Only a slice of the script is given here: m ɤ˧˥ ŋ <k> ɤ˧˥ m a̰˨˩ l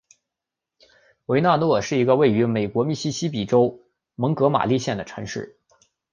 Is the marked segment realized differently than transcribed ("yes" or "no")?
no